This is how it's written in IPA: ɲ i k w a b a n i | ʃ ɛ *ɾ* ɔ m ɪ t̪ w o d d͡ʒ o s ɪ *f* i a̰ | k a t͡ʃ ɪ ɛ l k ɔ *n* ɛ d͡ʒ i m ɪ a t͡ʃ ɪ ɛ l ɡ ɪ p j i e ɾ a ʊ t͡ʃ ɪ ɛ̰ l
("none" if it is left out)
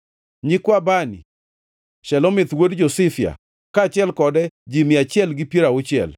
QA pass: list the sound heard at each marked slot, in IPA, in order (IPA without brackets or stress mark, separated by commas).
l, f, d